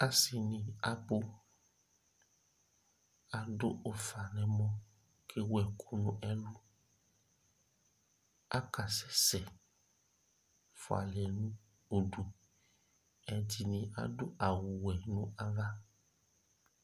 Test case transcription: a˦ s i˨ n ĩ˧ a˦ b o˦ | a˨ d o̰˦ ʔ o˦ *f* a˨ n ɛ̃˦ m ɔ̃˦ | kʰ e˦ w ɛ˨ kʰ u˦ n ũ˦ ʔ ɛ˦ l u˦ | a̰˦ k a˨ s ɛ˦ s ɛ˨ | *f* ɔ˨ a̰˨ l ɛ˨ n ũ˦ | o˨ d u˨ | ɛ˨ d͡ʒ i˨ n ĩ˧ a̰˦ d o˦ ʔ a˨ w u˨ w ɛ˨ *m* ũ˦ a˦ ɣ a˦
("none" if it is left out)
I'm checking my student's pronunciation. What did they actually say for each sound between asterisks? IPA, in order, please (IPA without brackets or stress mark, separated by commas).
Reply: f, f, n